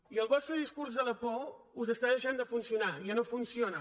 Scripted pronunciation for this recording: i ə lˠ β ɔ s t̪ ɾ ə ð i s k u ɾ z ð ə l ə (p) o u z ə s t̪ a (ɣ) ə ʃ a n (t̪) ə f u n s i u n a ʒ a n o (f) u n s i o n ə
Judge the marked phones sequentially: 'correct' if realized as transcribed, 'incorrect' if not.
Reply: correct, incorrect: ð, incorrect: d̪, correct

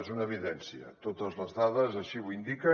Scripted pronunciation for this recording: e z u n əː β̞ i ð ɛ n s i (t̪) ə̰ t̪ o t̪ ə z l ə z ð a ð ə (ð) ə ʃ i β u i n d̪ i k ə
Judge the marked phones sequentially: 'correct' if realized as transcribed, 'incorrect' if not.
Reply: incorrect: none, incorrect: z

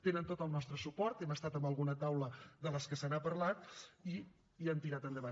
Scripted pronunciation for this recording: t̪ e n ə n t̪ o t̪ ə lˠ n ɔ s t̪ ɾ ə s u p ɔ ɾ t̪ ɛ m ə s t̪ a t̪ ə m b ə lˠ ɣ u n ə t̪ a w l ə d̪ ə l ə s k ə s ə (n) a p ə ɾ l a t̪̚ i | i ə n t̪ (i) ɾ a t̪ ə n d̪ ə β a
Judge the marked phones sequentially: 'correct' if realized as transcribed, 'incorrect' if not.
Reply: correct, correct

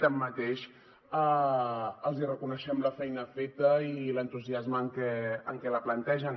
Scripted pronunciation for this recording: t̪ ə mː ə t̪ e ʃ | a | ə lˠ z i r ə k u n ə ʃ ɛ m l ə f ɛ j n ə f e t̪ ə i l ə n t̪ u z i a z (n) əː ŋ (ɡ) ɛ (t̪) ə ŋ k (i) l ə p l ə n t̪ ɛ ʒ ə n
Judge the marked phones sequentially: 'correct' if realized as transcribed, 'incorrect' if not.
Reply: incorrect: m, incorrect: k, incorrect: none, incorrect: ɛ

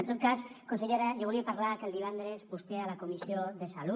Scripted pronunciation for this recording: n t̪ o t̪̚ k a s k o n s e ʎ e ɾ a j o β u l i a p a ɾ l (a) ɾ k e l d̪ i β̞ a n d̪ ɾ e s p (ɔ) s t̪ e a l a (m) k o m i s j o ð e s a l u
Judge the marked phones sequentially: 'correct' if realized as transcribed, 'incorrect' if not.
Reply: correct, incorrect: u, incorrect: none

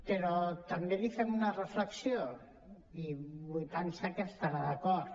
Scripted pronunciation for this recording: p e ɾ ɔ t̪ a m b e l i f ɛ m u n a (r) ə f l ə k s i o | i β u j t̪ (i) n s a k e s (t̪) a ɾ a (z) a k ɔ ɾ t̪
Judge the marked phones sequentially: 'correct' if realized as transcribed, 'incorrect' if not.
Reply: correct, incorrect: a, correct, incorrect: ð

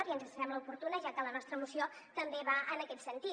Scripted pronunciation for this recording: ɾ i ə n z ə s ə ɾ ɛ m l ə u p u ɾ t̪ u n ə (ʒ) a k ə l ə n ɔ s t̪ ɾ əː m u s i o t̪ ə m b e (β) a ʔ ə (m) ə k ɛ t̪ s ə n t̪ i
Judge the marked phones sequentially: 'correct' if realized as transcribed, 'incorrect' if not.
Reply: correct, correct, incorrect: n

